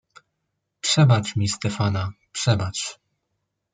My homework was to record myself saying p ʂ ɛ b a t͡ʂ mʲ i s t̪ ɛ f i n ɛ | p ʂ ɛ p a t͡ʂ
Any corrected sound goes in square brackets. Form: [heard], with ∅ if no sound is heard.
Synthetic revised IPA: p ʂ ɛ b a t͡ʂ mʲ i s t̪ ɛ f [a] n [a] | p ʂ ɛ [b] a t͡ʂ